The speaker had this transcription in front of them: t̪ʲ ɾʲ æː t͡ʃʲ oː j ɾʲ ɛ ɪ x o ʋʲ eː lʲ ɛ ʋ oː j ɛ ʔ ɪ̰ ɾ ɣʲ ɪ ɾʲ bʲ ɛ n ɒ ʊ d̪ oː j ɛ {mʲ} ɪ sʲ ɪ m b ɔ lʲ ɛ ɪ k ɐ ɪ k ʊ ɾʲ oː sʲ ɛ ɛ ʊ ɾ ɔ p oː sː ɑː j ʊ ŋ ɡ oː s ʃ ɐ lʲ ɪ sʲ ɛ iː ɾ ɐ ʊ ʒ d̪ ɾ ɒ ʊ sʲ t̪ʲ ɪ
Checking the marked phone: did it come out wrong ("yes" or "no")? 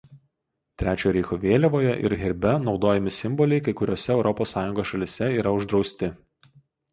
no